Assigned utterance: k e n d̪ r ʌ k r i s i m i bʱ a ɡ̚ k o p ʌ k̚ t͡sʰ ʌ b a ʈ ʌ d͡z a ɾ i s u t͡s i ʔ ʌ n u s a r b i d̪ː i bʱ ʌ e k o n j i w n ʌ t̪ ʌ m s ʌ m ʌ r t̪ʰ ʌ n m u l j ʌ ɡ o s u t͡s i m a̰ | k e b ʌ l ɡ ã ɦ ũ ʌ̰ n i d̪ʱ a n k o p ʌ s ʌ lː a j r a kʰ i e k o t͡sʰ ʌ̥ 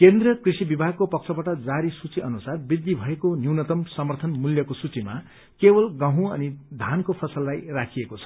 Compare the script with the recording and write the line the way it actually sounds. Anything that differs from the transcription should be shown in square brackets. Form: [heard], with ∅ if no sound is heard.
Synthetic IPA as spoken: k e n d̪ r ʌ k r i s i [b] i bʱ a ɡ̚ k o p ʌ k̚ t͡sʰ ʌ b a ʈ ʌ d͡z a ɾ i s u t͡s i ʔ ʌ n u s a r b i d̪ː i bʱ ʌ e k o n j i w n ʌ t̪ ʌ m s ʌ m ʌ r t̪ʰ ʌ n m u l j ʌ [k] o s u t͡s i m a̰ | k e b ʌ l ɡ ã ɦ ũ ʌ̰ n i d̪ʱ a n k o [pʰ] ʌ s ʌ lː a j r a kʰ i e k o t͡sʰ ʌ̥